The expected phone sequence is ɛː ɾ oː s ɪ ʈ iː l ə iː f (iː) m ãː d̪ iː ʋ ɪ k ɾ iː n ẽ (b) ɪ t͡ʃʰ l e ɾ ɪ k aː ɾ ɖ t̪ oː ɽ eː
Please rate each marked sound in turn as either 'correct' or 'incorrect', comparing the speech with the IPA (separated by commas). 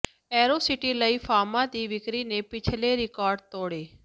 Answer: incorrect, incorrect